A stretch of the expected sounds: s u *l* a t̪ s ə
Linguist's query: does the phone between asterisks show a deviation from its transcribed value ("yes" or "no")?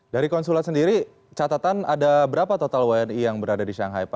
no